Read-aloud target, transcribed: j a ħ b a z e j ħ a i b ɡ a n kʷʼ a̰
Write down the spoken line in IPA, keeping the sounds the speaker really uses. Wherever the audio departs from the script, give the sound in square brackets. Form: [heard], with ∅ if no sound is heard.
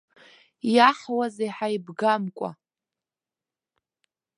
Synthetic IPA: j a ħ [w] a z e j ħ a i b ɡ a [m] kʷʼ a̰